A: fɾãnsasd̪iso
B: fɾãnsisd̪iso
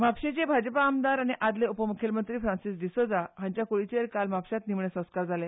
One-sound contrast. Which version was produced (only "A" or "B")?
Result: B